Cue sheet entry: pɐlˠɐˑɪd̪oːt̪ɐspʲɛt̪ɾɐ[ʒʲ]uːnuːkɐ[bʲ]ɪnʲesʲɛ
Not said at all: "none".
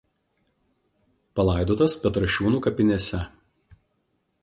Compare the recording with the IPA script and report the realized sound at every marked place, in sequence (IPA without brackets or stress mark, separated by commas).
ʃʲ, pʲ